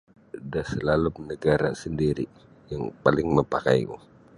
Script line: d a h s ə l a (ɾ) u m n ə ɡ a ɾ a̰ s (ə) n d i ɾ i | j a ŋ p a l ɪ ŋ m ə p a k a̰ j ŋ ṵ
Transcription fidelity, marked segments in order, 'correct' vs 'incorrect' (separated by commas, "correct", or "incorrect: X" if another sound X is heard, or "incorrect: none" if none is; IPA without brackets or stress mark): incorrect: l, correct